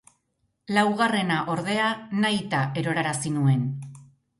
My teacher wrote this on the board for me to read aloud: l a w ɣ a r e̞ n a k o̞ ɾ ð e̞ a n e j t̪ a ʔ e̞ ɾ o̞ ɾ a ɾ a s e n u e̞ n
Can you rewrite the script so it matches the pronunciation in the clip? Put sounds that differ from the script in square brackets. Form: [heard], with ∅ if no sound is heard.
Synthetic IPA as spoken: l a w ɣ a r e̞ n a [ʔ] o̞ ɾ ð e̞ a n [a] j t̪ a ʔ e̞ ɾ o̞ ɾ a ɾ a s [i] n u e̞ n